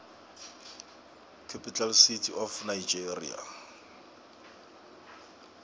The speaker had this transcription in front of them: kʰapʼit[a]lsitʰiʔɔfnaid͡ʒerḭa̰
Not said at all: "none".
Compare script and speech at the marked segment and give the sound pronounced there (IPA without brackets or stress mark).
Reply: a